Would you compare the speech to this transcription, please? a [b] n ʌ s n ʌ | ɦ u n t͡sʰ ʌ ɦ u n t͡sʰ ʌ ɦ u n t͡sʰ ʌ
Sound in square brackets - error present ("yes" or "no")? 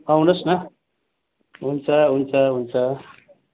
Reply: yes